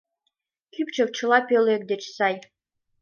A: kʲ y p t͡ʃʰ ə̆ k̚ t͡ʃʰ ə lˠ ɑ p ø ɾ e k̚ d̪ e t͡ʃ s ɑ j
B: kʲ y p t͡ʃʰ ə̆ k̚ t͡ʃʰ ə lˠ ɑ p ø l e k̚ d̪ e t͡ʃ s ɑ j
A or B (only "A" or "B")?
B